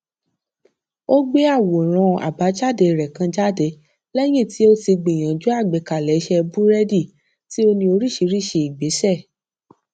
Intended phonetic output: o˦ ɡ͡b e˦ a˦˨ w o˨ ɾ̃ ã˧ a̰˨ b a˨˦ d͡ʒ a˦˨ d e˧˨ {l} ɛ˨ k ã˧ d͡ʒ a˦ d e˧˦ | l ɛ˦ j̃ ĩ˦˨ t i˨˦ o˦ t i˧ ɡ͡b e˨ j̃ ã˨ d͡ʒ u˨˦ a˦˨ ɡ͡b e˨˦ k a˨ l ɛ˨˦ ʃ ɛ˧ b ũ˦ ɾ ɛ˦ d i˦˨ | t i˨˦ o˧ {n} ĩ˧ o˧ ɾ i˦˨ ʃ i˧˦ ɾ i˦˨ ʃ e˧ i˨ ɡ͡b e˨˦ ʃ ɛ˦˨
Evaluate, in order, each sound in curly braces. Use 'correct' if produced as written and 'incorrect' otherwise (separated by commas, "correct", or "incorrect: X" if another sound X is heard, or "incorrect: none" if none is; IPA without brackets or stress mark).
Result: incorrect: ɾ, correct